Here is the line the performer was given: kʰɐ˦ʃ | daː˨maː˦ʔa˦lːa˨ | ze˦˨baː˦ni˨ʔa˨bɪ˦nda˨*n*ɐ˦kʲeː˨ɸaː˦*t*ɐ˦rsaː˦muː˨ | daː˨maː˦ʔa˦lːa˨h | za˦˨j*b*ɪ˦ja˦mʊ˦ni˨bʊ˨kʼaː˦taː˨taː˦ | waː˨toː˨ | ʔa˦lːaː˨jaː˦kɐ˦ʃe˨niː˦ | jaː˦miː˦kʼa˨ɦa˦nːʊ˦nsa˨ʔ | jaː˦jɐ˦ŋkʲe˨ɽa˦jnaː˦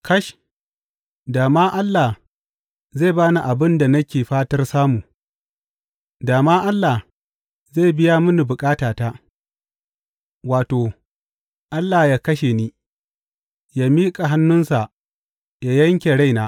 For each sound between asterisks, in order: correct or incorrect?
correct, correct, correct

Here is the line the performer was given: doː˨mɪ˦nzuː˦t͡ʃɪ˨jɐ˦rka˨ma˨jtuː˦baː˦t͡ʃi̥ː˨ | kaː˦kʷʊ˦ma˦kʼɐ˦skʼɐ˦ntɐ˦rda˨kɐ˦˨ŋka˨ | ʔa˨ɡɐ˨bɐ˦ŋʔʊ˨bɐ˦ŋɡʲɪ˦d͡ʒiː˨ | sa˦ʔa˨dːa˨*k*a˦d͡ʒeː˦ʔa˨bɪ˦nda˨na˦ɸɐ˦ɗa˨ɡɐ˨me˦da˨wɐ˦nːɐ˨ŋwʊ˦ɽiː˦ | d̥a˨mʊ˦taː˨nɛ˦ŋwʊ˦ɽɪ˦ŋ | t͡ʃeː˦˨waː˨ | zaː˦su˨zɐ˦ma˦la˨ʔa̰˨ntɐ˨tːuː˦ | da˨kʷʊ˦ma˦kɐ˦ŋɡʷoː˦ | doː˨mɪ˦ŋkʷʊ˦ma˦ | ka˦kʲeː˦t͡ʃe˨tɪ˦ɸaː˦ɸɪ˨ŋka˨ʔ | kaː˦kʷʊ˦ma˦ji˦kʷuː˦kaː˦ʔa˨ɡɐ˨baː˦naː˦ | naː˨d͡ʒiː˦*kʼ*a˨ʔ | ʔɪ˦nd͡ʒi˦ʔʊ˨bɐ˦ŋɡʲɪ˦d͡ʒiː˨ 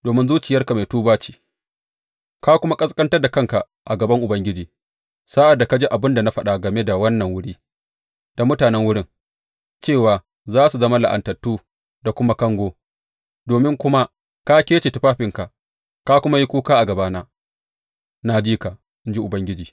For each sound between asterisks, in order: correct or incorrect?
correct, incorrect: k

